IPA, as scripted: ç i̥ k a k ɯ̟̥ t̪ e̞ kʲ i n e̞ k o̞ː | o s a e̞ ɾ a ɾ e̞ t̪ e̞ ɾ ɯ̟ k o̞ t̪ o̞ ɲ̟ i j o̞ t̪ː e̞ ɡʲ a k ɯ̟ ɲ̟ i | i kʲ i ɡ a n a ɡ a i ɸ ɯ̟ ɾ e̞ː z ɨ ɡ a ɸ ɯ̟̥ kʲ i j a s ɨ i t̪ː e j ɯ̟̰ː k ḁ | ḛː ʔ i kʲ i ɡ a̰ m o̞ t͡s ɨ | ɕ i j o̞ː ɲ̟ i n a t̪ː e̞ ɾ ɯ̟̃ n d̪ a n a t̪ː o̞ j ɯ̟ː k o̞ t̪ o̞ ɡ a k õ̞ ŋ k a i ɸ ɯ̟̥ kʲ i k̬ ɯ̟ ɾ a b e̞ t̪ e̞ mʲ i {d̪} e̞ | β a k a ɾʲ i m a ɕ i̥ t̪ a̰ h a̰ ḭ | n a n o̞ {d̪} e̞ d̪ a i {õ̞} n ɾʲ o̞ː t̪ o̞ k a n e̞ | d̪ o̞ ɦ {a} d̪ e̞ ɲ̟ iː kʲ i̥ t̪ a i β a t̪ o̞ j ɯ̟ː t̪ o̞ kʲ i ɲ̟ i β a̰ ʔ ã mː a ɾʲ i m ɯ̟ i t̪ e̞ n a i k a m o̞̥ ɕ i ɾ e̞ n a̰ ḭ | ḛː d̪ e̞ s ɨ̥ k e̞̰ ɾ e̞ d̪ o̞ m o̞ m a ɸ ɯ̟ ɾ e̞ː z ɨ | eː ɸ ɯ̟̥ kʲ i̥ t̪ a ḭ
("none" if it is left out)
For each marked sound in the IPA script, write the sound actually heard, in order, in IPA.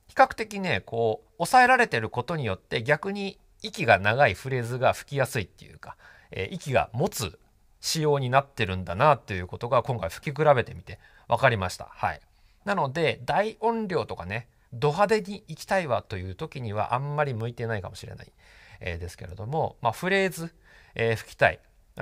t̪, d̪, õ̞, a

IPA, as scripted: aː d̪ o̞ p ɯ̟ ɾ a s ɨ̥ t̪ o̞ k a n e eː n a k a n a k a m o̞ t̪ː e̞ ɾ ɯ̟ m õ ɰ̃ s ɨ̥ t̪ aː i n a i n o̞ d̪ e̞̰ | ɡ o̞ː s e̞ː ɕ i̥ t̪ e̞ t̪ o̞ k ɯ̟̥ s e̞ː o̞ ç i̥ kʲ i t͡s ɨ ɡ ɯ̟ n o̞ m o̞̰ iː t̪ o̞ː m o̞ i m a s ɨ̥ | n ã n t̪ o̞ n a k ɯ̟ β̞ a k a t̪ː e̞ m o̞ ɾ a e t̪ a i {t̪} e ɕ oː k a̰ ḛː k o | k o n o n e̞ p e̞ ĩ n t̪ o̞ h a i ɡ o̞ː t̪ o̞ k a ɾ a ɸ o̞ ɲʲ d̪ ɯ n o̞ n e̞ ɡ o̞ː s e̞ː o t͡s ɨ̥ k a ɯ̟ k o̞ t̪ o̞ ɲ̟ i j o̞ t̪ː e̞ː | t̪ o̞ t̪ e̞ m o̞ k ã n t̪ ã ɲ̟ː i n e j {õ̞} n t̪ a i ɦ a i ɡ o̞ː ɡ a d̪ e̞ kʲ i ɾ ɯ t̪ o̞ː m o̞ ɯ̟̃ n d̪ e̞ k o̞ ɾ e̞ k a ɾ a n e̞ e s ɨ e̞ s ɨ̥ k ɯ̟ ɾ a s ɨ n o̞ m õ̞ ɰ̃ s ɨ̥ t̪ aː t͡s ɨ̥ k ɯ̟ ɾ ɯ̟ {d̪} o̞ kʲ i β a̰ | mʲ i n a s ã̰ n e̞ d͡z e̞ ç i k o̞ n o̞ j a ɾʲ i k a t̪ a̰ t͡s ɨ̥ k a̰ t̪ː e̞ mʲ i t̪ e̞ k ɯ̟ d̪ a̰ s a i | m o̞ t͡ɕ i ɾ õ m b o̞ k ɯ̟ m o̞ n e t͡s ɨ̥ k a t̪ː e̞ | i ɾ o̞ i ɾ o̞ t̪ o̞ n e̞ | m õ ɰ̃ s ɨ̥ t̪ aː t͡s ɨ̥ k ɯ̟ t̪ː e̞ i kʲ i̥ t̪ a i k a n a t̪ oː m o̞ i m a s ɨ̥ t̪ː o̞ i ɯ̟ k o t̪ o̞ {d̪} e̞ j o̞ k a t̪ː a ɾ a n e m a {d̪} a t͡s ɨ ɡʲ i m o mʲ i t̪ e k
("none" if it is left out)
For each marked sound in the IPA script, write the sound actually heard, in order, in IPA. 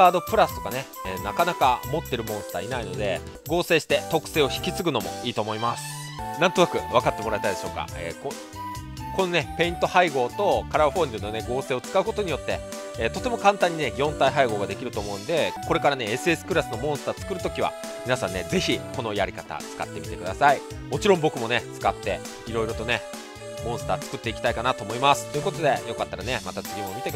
d̪, õ̞, t̪, d̪, t̪

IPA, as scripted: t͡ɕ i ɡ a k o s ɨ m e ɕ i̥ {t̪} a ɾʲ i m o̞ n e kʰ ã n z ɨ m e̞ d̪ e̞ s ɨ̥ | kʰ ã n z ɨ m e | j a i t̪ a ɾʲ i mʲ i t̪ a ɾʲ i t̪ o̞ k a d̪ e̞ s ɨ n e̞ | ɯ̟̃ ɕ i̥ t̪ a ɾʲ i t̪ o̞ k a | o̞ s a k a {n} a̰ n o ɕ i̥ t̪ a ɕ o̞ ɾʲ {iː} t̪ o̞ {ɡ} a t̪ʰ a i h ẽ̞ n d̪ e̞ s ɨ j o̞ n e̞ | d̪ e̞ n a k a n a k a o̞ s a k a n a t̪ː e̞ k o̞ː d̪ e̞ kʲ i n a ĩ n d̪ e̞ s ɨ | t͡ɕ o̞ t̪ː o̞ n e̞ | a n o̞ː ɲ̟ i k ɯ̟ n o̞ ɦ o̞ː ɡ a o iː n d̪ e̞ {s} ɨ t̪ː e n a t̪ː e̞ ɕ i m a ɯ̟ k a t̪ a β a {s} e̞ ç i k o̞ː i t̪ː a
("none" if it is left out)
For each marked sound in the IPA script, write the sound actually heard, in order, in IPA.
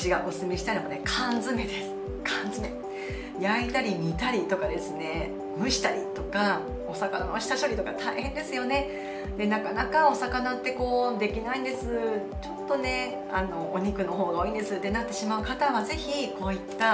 t̪, n, i, k, s, z

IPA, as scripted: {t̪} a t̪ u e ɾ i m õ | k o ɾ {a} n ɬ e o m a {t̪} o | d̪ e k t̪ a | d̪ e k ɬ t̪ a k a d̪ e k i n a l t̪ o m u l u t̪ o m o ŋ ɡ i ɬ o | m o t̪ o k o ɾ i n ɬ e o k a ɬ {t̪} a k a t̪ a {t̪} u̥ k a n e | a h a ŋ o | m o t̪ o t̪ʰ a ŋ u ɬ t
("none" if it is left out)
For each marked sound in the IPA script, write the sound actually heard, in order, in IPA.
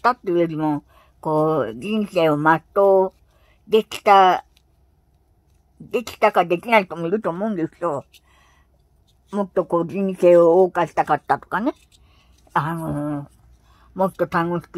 t̪, i, t̪, t̪, t̪

